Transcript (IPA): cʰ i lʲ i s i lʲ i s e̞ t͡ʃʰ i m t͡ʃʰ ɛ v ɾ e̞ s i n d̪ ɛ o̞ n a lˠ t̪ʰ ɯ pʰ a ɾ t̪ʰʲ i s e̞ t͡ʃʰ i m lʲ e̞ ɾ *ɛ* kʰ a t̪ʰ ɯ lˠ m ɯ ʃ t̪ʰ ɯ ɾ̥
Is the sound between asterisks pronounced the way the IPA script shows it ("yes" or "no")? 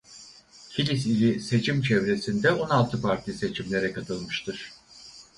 yes